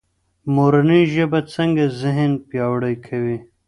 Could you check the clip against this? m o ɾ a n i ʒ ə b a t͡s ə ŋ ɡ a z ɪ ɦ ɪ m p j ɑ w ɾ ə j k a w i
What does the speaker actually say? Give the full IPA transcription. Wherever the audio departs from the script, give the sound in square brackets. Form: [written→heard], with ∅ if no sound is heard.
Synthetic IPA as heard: m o ɾ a n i ʒ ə b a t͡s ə ŋ ɡ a z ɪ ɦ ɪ [m→n] p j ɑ w [ɾ→ɽ] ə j [k→kʰ] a w i